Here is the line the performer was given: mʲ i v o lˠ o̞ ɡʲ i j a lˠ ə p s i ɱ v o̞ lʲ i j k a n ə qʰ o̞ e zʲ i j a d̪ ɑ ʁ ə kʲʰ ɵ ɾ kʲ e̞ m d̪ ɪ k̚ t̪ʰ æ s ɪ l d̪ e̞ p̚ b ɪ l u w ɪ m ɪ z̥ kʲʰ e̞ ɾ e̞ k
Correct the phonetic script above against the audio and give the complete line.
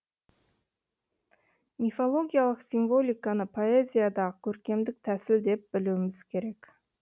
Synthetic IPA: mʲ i f o lˠ o̞ ɡʲ i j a lˠ ə q s i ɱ v o̞ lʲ i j k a n ə pʰ o̞ e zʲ i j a d̪ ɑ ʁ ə kʲʰ ɵ ɾ kʲ e̞ m d̪ ɪ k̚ t̪ʰ æ s ɪ l d̪ e̞ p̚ b ɪ l u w ɪ m ɪ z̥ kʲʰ e̞ ɾ e̞ k